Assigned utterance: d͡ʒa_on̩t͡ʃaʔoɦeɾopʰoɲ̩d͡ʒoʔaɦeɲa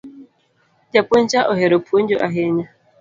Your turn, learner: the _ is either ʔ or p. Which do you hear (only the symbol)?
p